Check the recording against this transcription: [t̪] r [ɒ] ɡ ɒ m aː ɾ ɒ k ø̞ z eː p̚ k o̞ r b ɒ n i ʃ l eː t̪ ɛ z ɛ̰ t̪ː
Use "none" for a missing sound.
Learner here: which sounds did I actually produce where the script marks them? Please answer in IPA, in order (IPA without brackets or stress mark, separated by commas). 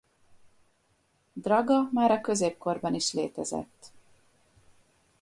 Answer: d̪, ɒ